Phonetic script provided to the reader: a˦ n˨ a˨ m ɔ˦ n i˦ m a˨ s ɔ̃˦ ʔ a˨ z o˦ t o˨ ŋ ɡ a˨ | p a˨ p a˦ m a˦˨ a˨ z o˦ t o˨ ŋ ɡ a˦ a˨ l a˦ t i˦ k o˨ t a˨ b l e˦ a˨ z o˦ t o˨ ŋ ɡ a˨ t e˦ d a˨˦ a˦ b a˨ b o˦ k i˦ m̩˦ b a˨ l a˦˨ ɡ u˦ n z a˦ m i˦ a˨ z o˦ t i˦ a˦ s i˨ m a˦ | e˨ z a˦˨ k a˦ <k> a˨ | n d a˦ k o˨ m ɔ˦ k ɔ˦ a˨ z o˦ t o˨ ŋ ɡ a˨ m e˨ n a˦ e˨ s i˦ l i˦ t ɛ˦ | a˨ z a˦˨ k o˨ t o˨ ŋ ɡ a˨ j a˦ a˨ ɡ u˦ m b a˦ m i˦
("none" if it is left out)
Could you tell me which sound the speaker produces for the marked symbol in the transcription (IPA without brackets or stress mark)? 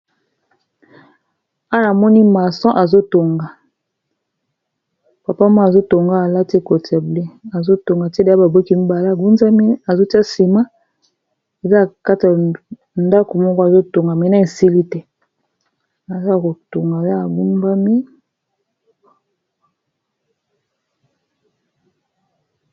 t